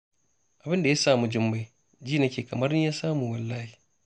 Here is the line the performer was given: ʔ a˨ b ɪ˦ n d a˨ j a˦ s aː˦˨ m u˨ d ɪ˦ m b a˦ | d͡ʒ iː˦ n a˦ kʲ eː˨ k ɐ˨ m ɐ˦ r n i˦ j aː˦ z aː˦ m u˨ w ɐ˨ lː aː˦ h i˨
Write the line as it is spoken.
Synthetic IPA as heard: ʔ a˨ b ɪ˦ n d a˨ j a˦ s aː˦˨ m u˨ d͡ʒ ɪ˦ m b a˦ | d͡ʒ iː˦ n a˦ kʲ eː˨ k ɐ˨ m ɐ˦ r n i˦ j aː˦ s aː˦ m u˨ w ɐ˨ lː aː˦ h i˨